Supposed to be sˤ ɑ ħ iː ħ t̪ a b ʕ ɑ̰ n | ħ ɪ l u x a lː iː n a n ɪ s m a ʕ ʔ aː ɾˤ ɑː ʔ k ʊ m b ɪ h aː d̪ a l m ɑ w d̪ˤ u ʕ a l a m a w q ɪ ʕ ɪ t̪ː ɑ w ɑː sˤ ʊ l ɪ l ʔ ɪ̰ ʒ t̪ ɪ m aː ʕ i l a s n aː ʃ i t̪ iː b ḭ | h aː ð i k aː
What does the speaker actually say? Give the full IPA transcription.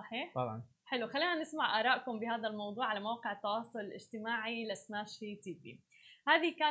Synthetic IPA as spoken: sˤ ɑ ħ iː ħ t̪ ɑ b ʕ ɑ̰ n | ħ ɪ l u x a lː iː n a n ɪ s m a ʕ ʔ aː ɾˤ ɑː ʔ k ʊ m b ɪ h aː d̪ a l m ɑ w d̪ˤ uː ʕ a l a m a w q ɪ ʕ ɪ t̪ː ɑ w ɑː sˤ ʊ l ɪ l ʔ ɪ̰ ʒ t̪ ɪ m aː ʕ i l a s n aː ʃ i t̪ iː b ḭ | h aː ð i k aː